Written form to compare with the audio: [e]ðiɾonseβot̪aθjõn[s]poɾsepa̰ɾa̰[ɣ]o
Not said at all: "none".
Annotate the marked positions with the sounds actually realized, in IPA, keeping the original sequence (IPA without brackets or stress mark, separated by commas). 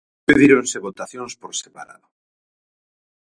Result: e, s, ð